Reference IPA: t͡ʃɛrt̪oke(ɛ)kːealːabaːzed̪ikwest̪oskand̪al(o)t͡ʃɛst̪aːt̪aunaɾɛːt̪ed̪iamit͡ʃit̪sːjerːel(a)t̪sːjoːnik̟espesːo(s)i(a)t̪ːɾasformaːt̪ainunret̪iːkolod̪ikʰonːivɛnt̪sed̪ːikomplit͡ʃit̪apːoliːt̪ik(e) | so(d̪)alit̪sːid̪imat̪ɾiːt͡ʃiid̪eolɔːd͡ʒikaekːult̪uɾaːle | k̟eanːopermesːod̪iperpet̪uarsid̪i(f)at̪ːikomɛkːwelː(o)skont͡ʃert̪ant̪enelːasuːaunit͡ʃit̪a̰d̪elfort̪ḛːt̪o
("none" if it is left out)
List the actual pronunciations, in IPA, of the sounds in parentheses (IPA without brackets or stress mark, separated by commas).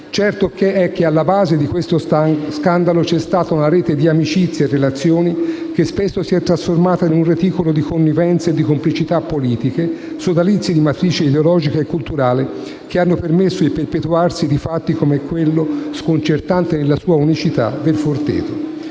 ɛ, o, a, s, ɛ, e, d̪, f, o